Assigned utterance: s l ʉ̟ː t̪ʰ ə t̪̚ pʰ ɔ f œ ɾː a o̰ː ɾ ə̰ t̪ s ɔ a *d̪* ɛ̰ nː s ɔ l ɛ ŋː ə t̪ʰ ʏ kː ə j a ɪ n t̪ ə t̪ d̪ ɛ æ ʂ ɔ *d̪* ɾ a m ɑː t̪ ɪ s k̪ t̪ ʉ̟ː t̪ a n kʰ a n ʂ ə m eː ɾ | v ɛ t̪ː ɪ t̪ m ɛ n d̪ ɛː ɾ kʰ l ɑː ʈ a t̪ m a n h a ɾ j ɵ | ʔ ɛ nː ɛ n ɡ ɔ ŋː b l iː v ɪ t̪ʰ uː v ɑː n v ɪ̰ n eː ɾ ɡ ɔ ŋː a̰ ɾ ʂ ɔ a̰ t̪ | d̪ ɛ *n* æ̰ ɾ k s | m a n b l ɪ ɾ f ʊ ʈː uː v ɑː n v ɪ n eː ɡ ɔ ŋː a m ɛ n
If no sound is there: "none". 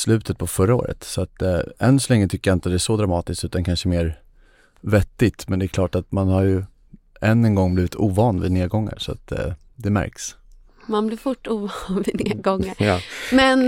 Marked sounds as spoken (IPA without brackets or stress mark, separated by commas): t̪, d̪, m